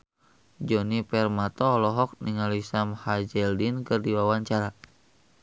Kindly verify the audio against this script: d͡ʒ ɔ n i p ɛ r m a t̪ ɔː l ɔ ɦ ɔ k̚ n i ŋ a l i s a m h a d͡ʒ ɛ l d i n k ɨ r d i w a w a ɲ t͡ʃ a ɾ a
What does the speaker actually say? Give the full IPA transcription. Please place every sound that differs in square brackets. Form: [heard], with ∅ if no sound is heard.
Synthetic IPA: d͡ʒ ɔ n i p ɛ r m a t̪ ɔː l ɔ ɦ ɔ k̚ n i ŋ a l i s a m h a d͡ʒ ɛ l d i n k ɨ r d i w a w a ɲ t͡ʃ a ɾ a